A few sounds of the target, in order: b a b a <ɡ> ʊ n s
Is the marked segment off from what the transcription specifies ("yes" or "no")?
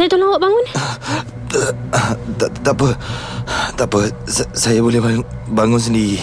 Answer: yes